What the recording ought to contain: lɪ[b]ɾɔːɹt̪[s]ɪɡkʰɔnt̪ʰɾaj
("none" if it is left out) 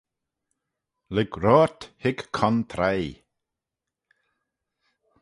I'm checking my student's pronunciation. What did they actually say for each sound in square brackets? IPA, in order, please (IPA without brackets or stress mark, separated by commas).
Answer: ɡ, h